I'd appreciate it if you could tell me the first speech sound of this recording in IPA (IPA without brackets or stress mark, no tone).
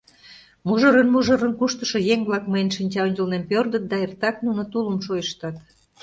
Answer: m